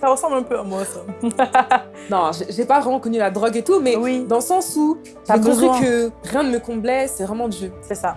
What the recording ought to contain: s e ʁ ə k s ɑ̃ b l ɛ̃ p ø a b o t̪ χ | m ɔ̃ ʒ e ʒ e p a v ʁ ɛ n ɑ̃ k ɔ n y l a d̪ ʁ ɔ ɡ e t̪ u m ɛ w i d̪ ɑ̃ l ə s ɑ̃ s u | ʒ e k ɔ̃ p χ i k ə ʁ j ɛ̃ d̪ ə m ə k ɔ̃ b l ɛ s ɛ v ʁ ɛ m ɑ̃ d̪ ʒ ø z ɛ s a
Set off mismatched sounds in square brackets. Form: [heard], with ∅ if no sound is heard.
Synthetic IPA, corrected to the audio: s [a] ʁ ə [∅] s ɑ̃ b l ɛ̃ p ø a [m] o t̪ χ | [n] ɔ̃ ʒ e ʒ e p a v ʁ ɛ [m] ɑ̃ k ɔ n y l a d̪ ʁ ɔ ɡ e t̪ u m ɛ w i d̪ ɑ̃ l ə s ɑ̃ s u | ʒ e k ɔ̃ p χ i k ə ʁ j ɛ̃ d̪ ə m ə k ɔ̃ b l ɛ s ɛ v ʁ ɛ m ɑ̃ d̪ ʒ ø [s] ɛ s a